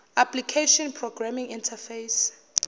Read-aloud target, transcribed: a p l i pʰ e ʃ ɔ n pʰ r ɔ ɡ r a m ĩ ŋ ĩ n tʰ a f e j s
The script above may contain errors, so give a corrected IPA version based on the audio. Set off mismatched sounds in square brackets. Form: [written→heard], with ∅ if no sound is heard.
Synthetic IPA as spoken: a p l i [pʰ→kʰ] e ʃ ɔ n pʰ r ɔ ɡ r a m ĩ ŋ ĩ n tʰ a f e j s